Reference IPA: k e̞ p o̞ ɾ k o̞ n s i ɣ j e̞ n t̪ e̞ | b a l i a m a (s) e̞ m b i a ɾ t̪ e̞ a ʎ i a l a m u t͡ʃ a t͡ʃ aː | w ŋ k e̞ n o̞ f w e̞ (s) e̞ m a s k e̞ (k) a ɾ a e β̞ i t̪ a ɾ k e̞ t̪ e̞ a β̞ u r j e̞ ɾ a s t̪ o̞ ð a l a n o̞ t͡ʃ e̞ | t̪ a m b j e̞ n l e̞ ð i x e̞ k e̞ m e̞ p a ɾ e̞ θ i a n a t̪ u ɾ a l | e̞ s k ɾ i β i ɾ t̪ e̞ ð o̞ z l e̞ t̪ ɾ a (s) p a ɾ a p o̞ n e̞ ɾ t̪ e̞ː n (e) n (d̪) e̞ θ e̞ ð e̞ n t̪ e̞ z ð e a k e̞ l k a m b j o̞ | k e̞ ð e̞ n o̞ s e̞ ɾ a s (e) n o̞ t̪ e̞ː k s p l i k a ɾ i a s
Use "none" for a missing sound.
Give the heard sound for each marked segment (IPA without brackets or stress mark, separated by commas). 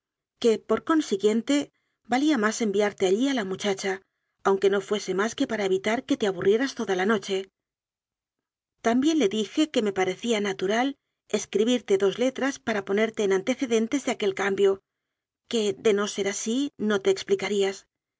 s, s, p, s, a, t̪, i